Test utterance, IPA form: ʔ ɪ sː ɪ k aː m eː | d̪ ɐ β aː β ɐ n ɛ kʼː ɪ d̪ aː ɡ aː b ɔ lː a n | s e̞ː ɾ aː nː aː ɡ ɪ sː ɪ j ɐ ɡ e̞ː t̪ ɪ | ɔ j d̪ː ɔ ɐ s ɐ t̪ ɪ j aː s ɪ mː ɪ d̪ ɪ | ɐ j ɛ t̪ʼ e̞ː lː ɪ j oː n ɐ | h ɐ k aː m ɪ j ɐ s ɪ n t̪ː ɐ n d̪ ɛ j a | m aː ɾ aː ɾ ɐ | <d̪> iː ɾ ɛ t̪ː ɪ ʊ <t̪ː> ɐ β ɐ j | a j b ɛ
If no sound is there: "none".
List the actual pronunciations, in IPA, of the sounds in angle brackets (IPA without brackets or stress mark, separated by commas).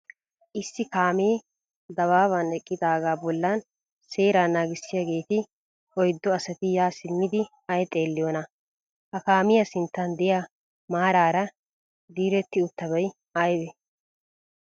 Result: d̪, t̪ː